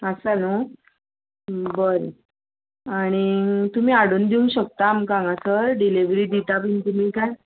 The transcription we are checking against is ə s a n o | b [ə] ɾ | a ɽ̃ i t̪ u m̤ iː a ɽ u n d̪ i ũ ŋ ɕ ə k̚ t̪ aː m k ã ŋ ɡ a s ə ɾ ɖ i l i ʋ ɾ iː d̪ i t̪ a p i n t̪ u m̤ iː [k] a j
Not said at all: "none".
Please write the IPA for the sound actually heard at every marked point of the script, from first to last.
ə, k

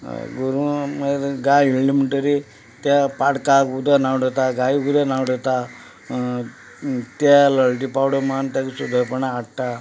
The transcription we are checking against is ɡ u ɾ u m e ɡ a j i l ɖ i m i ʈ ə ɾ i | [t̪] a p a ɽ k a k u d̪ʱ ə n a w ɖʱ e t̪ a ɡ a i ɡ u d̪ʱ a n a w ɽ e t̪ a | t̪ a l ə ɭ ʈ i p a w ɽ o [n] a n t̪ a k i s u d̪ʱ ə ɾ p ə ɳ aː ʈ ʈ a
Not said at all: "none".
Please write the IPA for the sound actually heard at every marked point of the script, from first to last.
t̪, m

